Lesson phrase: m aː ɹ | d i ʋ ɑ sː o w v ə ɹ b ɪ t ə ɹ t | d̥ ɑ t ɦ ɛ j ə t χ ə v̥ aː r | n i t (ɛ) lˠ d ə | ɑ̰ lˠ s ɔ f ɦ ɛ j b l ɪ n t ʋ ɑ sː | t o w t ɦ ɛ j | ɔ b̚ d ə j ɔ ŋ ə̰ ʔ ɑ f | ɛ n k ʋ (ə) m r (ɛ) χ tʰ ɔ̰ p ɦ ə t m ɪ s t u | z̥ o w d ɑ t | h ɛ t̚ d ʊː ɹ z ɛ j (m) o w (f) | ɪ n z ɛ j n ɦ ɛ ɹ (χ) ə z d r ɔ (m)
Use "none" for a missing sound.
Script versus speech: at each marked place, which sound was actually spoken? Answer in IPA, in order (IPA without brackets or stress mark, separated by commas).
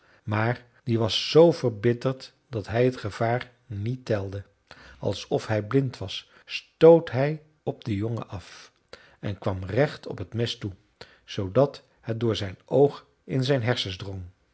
ɛ, ɑ, ɛ, n, χ, s, ŋ